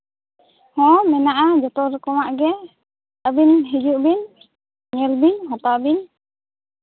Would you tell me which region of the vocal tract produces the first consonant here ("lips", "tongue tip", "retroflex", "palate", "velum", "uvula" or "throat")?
throat